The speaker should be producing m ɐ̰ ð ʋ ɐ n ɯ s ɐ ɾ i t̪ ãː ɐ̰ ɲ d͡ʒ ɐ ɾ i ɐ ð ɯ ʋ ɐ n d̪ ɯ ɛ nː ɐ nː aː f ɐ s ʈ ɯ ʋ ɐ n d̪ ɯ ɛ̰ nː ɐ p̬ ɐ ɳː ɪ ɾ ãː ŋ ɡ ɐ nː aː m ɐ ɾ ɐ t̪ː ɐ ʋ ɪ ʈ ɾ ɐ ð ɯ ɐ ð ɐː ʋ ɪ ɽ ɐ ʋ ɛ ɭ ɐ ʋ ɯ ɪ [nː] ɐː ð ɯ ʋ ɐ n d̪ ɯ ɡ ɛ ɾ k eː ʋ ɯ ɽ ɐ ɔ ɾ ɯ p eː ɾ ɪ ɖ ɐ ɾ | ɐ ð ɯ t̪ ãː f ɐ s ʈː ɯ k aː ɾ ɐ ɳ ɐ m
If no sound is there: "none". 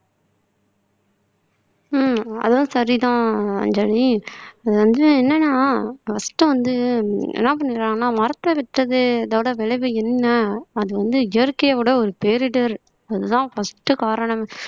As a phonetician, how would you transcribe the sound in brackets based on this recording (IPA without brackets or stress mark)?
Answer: nː